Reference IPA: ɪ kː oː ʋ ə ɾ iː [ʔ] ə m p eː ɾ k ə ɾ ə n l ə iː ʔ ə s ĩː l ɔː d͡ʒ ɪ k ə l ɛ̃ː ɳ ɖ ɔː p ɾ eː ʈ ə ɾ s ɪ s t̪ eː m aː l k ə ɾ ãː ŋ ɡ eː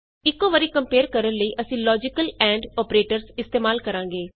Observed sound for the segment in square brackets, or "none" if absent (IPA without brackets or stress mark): k